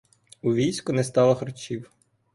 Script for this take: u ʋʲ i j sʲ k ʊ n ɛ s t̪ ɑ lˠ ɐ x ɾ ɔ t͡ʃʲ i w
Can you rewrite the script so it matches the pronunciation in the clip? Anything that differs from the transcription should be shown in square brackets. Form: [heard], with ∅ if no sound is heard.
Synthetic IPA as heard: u ʋʲ i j sʲ k ʊ n ɛ s t̪ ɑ lˠ ɐ x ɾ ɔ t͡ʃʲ i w